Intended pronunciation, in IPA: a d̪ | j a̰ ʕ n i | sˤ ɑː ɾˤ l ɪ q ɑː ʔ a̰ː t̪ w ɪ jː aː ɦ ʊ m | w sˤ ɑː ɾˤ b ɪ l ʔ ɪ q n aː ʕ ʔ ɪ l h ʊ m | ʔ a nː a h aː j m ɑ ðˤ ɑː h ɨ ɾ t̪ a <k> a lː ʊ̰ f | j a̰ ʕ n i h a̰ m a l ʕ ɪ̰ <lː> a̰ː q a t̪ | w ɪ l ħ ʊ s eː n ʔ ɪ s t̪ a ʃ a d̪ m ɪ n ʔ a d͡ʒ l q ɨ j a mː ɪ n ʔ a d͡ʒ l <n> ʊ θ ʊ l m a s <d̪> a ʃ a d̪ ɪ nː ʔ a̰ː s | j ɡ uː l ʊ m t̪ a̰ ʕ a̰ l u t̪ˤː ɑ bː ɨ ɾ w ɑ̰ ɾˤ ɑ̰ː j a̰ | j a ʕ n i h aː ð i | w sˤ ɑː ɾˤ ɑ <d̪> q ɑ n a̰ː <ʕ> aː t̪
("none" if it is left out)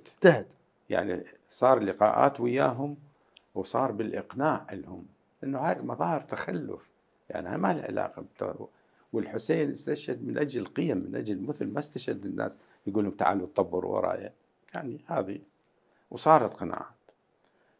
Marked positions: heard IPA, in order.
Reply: x, l, m, t̪, t̪, ʕ

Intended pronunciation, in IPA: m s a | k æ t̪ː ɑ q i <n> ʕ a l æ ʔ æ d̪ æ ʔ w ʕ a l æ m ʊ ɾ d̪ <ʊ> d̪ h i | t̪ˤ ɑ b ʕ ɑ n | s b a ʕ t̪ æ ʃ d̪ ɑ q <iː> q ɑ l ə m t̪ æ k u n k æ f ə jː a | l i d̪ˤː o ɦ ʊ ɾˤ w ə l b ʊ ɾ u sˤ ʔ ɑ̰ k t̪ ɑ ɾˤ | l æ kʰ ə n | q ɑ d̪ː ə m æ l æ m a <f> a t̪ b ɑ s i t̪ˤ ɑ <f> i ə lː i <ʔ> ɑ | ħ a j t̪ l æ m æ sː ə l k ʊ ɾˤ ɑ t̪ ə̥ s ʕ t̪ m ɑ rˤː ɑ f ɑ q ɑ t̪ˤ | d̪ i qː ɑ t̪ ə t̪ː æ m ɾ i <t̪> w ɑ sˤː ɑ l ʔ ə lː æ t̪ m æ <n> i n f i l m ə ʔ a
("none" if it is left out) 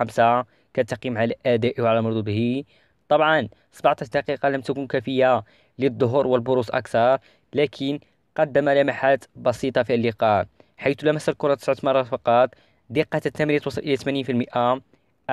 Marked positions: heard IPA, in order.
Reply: m, u, i, ħ, f, q, t̪, n

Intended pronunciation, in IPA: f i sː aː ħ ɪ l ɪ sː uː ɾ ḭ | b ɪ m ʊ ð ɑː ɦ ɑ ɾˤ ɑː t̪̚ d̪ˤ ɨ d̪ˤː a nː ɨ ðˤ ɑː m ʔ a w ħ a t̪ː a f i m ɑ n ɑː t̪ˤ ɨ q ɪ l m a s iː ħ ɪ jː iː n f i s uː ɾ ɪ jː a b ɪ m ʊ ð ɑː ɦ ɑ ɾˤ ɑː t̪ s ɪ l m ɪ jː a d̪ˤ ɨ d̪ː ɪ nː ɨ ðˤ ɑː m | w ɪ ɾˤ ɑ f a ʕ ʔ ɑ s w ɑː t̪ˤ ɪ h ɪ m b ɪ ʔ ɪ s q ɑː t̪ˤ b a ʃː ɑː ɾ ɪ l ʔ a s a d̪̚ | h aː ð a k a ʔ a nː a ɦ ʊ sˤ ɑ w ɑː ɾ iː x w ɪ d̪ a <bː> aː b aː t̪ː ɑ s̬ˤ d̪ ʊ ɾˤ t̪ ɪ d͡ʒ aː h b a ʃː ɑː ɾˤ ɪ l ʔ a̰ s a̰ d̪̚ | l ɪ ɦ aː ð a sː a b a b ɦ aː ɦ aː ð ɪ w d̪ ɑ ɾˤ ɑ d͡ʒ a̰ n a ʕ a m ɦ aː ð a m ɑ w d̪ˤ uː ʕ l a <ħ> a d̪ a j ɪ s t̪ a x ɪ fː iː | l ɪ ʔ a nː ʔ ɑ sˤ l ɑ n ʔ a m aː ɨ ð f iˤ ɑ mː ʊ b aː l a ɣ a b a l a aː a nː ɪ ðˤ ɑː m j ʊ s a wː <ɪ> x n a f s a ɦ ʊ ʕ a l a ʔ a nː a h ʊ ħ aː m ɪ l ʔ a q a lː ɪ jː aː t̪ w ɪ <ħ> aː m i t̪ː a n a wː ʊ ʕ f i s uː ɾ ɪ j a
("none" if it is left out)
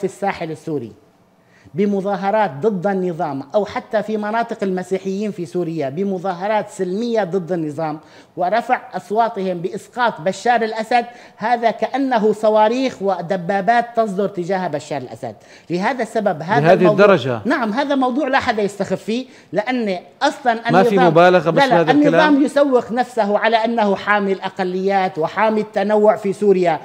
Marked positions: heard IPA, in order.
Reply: bː, ħ, ɪ, ħ

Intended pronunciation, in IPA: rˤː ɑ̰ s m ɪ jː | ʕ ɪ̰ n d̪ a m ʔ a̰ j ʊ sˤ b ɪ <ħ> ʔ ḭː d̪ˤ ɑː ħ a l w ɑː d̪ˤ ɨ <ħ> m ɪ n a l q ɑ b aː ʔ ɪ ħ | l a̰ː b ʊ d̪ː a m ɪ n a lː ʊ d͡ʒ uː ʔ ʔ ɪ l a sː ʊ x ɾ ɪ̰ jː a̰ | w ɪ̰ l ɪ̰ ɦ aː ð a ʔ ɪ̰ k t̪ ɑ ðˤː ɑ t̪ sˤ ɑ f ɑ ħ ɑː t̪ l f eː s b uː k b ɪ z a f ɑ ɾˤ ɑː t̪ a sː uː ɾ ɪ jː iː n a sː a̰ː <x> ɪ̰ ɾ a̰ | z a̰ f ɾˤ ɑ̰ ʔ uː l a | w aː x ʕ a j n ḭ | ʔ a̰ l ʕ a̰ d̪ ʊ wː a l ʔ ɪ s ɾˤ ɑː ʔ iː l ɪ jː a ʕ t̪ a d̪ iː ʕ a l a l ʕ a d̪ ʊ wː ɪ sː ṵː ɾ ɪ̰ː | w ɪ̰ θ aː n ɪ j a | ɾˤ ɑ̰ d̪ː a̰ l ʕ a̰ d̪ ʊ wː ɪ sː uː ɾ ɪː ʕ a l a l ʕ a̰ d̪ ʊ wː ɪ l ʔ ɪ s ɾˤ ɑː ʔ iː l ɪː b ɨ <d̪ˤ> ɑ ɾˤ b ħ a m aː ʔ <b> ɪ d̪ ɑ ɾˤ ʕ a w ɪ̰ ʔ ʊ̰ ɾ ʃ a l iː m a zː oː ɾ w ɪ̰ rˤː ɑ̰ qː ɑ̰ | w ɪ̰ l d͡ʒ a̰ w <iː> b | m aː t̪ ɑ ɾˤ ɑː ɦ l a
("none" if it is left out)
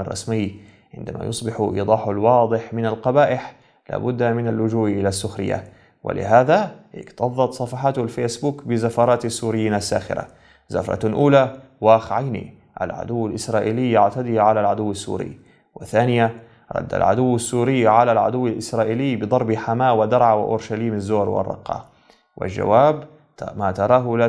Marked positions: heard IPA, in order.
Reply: ħ, ħ, x, d̪ˤ, w, aː

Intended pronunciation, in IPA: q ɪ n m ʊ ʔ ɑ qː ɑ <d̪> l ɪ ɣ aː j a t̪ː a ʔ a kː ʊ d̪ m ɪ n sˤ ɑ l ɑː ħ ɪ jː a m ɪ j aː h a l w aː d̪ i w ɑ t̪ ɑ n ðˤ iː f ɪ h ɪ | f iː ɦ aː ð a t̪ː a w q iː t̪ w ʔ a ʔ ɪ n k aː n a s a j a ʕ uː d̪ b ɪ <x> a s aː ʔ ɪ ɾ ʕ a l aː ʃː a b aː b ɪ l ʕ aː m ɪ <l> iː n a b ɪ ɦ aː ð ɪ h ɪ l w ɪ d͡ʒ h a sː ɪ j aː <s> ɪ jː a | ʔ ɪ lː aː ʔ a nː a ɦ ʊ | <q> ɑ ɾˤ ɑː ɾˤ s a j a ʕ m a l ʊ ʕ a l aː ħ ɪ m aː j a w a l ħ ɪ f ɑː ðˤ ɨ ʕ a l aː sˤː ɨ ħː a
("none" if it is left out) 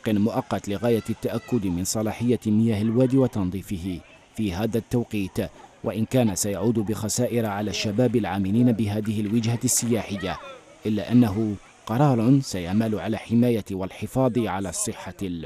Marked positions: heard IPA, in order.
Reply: t̪, x, l, ħ, q

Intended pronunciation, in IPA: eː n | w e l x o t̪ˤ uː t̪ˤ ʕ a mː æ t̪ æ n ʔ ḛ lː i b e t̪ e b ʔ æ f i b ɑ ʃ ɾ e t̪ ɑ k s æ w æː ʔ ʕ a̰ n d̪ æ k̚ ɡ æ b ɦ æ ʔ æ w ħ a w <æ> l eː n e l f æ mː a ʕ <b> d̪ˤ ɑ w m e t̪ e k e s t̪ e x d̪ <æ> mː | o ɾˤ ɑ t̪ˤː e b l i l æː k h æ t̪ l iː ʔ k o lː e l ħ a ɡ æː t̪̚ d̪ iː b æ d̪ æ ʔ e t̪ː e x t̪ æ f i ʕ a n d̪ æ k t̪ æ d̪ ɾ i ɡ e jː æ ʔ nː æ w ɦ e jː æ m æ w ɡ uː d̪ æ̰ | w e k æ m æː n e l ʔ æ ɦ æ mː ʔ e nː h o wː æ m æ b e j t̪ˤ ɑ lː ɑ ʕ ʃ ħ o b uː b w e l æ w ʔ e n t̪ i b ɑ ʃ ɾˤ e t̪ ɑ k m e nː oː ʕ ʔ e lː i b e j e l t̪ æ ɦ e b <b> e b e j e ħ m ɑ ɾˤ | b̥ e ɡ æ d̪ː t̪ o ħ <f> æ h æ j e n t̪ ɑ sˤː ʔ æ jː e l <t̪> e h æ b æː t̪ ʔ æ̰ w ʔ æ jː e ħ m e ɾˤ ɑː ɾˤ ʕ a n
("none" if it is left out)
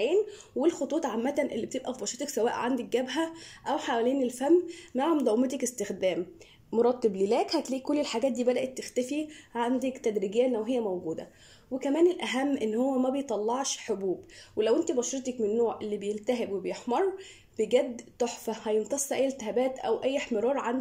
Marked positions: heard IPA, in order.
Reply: æ, m, æː, w, f, t̪

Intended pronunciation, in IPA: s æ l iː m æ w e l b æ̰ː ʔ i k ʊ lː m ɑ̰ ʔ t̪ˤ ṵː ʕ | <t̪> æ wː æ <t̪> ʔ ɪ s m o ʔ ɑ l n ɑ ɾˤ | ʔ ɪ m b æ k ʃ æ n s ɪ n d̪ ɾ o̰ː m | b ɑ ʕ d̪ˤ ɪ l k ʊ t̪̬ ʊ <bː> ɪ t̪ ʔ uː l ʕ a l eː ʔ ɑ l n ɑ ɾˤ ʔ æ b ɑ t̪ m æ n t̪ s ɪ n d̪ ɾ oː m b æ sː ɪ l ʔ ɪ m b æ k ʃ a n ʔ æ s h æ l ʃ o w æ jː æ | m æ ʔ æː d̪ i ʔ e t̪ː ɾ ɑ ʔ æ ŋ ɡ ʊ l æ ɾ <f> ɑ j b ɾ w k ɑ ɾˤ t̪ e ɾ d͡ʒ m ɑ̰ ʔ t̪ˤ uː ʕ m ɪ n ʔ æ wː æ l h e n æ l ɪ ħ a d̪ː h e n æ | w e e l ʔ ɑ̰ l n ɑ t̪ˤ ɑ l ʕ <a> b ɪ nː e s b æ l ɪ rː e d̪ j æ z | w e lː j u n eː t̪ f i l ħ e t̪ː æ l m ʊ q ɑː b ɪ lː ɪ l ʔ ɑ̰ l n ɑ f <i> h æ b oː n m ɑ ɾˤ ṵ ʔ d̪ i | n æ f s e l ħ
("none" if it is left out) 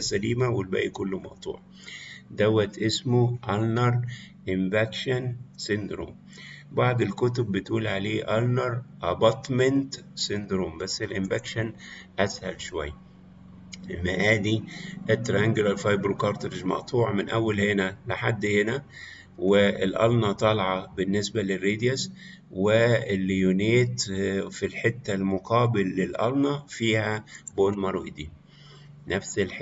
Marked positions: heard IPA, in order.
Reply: d̪, t̪, bː, f, ɑ, iː

